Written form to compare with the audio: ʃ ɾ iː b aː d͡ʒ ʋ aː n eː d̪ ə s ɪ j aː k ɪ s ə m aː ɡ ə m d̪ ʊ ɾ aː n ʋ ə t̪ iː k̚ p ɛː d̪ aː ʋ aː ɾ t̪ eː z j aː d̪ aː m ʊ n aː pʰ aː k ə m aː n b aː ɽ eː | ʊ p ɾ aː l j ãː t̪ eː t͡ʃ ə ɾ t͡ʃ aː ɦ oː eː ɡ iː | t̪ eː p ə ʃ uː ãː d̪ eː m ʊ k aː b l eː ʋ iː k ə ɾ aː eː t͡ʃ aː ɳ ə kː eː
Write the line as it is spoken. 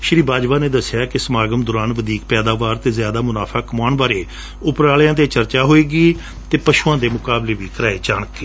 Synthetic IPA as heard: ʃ ɾ iː b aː d͡ʒ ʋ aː n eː d̪ ə s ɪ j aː k ɪ s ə m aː ɡ ə m d̪ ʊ ɾ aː n ʋ ə d̪ iː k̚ p ɛː d̪ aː ʋ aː ɾ t̪ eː z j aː d̪ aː m ʊ n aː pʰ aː k ə m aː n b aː ɾ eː | ʊ p ɾ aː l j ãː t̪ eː t͡ʃ ə ɾ t͡ʃ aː ɦ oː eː ɡ iː | t̪ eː p ə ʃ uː ãː d̪ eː m ʊ k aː b l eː ʋ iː k ə ɾ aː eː t͡ʃ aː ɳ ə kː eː

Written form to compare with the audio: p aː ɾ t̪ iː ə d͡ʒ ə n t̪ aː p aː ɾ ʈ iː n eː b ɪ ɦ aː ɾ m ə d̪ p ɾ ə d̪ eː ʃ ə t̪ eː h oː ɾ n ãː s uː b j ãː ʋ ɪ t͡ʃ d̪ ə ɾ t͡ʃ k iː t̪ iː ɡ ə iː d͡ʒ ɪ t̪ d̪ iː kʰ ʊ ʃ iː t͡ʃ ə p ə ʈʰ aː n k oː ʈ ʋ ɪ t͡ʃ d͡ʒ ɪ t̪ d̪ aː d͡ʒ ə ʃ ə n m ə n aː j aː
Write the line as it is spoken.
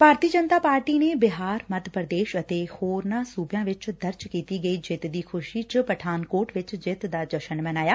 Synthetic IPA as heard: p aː ɾ t̪ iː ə d͡ʒ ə n t̪ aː p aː ɾ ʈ iː n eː b ɪ ɦ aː ɾ m ə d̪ p ɾ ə d̪ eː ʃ ə t̪ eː h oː ɾ n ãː s uː b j ãː ʋ ɪ t͡ʃ d̪ ə ɾ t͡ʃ k iː t̪ iː ɡ ə iː d͡ʒ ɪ t̪ d̪ iː kʰ ʊ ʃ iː t͡ʃ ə p ə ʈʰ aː n k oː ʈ ʋ ɪ t͡ʃ d͡ʒ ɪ t̪ d̪ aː d͡ʒ ə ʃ ə n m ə n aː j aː

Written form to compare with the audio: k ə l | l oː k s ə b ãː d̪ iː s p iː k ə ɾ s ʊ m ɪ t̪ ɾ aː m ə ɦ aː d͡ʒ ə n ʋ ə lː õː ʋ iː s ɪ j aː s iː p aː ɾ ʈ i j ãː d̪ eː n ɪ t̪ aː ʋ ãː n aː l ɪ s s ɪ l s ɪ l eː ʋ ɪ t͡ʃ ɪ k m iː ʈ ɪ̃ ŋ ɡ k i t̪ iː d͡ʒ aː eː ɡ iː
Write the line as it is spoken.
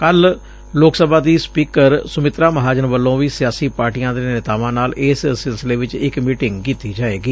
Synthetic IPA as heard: k ə l | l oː k s ə b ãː d̪ iː s p iː k ə ɾ s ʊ m ɪ t̪ ɾ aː m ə ɦ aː d͡ʒ ə n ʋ ə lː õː ʋ iː s ɪ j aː s iː p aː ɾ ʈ i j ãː d̪ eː n ɪ t̪ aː ʋ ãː n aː l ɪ s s ɪ l s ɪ l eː ʋ ɪ t͡ʃ ɪ k m iː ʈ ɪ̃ ŋ ɡ k iː t̪ iː d͡ʒ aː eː ɡ iː

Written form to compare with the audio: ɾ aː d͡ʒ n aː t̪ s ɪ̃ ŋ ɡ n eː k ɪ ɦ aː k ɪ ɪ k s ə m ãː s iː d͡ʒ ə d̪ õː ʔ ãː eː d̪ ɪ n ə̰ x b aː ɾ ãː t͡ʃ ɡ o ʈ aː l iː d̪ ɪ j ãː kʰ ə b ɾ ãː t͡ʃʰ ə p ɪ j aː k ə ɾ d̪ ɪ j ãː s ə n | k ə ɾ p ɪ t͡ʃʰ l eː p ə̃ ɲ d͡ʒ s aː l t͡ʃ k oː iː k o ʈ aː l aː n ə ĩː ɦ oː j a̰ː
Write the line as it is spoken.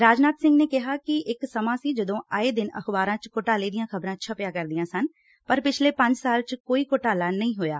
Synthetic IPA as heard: ɾ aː d͡ʒ n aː t̪ s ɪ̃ ŋ ɡ n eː k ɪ ɦ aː k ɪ ɪ k s ə m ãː s iː d͡ʒ ə d̪ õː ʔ aː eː d̪ ɪ n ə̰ x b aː ɾ ãː t͡ʃ k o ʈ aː l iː d̪ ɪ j ãː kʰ ə b ɾ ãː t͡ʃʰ ə p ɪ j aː k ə ɾ d̪ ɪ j ãː s ə n | p ə ɾ p ɪ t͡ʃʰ l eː p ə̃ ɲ d͡ʒ s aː l t͡ʃ k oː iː k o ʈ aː l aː n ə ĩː ɦ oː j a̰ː

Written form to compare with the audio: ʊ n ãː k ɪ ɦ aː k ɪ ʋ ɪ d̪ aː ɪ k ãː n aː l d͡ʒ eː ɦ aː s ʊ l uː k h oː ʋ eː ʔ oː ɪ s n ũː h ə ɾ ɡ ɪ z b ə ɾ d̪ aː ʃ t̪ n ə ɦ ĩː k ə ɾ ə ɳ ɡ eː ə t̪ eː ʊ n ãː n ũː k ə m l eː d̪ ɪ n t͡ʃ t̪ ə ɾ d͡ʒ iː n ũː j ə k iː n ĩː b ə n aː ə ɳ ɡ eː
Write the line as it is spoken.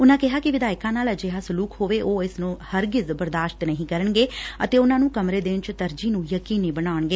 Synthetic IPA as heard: ʊ n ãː k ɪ ɦ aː k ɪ ʋ ɪ d̪ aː ɪ k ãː n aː l d͡ʒ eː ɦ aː s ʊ l uː k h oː ʋ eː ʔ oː ɪ s n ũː h ə ɾ ɡ ɪ z b ə ɾ d̪ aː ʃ t̪ n ə ɦ ĩː k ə ɾ ə ɳ ɡ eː ə t̪ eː ʊ n ãː n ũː k ə m ɾ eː d̪ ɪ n t͡ʃ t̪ ə ɾ d͡ʒ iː n ũː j ə k iː n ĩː b ə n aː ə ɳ ɡ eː

